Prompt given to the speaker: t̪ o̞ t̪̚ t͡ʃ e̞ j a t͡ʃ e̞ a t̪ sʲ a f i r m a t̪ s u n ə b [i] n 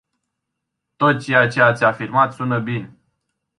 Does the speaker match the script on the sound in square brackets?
yes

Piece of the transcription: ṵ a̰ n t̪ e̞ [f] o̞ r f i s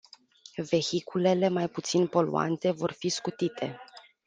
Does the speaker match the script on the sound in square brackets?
no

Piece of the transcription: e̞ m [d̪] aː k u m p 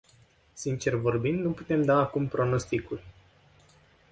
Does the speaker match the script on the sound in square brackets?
yes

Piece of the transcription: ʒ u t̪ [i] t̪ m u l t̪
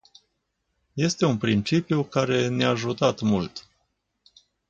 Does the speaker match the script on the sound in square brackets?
no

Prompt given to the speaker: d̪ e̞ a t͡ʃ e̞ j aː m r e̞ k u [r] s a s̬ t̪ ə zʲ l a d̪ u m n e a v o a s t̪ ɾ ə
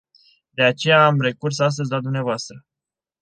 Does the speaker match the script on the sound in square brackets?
yes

